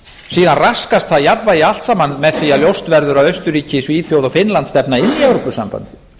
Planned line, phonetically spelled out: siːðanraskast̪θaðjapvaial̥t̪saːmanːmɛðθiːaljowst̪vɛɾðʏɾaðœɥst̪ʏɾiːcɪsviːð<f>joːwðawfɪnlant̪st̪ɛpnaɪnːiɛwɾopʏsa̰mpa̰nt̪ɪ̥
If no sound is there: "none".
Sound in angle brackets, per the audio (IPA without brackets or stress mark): f